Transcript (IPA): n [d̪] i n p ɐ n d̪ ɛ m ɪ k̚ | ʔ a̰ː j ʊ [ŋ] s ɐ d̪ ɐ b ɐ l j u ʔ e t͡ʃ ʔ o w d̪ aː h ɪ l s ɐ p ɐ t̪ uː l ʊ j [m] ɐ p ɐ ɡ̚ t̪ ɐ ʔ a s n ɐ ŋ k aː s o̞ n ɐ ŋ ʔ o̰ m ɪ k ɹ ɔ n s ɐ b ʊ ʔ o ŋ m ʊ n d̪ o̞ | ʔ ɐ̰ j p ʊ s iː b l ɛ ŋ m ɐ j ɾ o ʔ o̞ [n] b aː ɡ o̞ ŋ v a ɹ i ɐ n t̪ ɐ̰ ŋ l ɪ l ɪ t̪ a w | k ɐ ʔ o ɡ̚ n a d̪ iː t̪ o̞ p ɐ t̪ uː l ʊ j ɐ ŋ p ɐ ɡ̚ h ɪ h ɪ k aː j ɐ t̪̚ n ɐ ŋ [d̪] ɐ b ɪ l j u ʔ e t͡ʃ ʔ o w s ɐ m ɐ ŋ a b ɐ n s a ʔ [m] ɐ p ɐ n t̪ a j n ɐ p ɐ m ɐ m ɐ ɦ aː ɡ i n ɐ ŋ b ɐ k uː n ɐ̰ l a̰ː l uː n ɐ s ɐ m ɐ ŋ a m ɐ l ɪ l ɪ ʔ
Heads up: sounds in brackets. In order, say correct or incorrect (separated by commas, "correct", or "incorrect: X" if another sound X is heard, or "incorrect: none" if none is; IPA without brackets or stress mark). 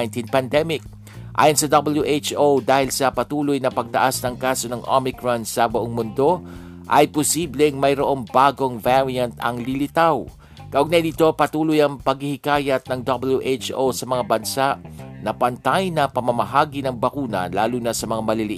incorrect: t̪, incorrect: n, incorrect: n, incorrect: ŋ, correct, incorrect: n